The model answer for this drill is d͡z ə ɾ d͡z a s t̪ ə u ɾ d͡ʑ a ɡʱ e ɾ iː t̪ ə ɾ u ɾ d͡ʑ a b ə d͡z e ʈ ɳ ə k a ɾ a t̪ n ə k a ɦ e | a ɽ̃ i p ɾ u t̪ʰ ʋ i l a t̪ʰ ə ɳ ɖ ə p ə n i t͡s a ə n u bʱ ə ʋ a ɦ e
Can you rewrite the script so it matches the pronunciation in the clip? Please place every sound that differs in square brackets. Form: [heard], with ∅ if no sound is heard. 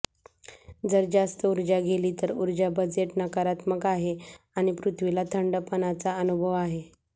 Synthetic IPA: d͡z ə ɾ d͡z a s t̪ ə u ɾ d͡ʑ a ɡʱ e [l] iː t̪ ə ɾ u ɾ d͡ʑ a b ə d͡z e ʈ [n] ə k a ɾ a t̪ [m] ə k a ɦ e | a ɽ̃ i p ɾ u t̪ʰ ʋ i l a t̪ʰ ə ɳ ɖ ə p ə n [a] t͡s a ə n u bʱ ə ʋ a ɦ e